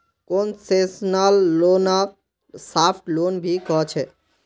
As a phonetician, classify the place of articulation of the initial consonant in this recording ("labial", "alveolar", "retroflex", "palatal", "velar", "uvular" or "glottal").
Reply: velar